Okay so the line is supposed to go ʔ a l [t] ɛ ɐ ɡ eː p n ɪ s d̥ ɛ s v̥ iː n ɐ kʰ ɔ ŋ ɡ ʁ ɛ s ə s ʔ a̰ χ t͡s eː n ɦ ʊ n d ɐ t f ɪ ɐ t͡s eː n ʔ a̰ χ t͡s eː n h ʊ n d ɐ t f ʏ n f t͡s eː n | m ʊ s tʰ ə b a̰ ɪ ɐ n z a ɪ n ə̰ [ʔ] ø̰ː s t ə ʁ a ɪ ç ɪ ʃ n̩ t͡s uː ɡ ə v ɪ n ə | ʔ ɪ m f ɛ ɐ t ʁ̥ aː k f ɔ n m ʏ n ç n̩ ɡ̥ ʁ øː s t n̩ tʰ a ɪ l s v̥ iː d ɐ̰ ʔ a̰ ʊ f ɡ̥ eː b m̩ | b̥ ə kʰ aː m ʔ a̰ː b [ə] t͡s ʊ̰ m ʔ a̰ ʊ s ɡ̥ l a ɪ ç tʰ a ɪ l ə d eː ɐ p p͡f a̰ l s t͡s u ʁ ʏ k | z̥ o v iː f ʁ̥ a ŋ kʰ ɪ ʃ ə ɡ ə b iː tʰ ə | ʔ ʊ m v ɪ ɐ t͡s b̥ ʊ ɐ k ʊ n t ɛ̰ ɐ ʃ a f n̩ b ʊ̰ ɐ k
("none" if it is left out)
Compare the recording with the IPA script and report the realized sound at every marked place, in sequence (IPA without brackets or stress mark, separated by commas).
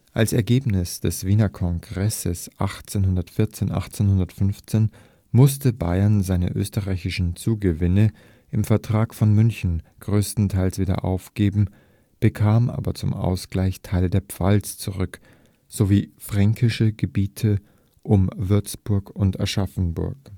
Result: s, ʔ, ɐ